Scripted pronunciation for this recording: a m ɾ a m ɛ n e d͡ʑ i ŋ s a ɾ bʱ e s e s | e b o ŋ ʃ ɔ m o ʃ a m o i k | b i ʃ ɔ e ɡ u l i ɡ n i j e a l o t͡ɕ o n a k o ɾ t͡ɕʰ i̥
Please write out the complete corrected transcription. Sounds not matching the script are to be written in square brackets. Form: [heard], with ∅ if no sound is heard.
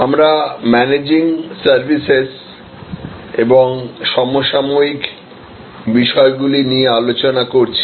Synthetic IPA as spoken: a m ɾ a m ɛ n e d͡ʑ i ŋ s a ɾ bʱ [i] s e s | e b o ŋ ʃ ɔ m o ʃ a m o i k | b i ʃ ɔ e ɡ u l i [∅] n i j e a l o t͡ɕ o n a k o ɾ t͡ɕʰ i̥

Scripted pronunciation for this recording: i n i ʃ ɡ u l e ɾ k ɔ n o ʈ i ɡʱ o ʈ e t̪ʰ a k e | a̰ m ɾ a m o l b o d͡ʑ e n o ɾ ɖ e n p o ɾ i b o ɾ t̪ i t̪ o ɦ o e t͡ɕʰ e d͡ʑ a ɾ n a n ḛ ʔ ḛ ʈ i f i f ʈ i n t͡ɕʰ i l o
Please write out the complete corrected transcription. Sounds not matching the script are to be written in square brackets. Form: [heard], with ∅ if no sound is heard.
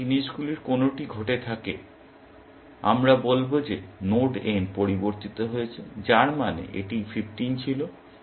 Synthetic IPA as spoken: i n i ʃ ɡ u l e ɾ k [o] n o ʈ i ɡʱ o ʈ e t̪ʰ a k e | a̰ m ɾ a [b] o l b o d͡ʑ e n o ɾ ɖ e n p o ɾ i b o ɾ t̪ i t̪ o ɦ o e t͡ɕʰ e d͡ʑ a ɾ [m] a n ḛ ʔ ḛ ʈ i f i f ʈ i n t͡ɕʰ i l o

